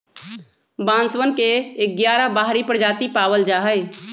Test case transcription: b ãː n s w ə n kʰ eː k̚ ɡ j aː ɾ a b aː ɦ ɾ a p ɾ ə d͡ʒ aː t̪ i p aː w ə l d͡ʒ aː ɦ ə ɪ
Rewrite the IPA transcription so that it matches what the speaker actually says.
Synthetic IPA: b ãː n s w ə n k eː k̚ ɡ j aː ɾ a b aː ɦ ɾ i p ɾ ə d͡ʒ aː t̪ i p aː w ə l d͡ʒ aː ɦ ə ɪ